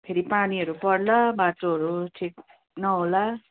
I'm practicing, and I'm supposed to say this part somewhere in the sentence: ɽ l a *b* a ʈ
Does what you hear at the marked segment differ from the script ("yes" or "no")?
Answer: no